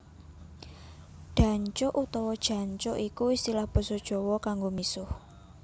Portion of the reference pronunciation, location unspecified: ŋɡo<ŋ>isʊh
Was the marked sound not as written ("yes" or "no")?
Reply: yes